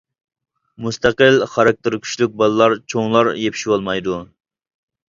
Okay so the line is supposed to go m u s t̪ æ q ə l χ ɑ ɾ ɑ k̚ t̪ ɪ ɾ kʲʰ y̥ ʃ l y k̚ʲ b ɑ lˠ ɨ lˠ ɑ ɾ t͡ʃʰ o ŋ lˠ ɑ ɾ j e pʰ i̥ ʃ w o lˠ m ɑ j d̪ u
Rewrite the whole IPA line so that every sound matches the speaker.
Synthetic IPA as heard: m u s t̪ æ q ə l χ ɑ ɾ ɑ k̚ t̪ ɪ ɾ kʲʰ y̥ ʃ l y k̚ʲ b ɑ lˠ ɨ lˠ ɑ ɾ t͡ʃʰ o ŋ lˠ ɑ ɾ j e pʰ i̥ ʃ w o lˠ m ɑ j d̪ u